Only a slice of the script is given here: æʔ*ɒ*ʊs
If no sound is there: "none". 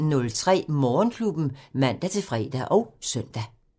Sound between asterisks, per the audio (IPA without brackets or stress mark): ɒ